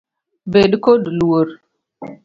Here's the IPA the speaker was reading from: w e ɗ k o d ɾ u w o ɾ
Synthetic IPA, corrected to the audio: b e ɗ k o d l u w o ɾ